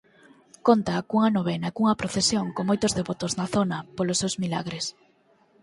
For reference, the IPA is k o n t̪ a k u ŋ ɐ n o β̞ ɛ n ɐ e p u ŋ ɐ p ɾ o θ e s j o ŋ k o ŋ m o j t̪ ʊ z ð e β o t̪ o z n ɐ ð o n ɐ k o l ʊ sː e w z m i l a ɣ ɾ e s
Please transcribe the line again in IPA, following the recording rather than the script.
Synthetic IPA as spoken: k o n t̪ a k u ŋ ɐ n o β̞ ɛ n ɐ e k u ŋ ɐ p ɾ o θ e s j o ŋ k o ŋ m o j t̪ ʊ z ð e β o t̪ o z n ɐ θ o n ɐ p o l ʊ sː e w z m i l a ɣ ɾ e s